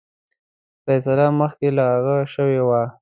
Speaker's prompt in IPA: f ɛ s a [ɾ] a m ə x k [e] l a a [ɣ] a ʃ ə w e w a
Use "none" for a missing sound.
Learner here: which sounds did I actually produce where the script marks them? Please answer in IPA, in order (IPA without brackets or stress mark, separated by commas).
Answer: l, e, ɣ